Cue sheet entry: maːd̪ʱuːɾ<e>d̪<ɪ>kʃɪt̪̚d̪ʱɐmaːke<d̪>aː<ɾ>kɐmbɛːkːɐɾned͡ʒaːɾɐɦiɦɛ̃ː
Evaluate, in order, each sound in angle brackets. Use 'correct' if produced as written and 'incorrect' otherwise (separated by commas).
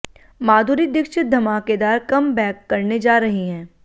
incorrect, correct, correct, correct